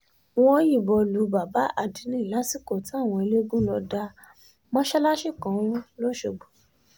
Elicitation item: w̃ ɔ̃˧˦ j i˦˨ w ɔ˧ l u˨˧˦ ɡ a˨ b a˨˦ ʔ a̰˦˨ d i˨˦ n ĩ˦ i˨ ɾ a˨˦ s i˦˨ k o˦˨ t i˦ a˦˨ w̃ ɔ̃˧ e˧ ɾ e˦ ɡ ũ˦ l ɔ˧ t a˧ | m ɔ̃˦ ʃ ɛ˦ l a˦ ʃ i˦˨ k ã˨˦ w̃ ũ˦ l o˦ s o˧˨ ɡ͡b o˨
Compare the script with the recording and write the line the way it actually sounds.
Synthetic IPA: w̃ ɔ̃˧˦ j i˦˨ b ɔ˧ l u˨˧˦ b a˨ b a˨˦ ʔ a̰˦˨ d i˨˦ n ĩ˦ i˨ l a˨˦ s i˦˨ k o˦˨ t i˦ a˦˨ w̃ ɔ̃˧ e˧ l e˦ ɡ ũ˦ l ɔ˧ d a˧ | m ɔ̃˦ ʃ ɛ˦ l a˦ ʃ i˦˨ k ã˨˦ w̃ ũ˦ l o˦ ʃ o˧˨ ɡ͡b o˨